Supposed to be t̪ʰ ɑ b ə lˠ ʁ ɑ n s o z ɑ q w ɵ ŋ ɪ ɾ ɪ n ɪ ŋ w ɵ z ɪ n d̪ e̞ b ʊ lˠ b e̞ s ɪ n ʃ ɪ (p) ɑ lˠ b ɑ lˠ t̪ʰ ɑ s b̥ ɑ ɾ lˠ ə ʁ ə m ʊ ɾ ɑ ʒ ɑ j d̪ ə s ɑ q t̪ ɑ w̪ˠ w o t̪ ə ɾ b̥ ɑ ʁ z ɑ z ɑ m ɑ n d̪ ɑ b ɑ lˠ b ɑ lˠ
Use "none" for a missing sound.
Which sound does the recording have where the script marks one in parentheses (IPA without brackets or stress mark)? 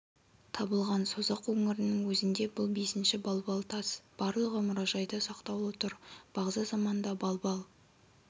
b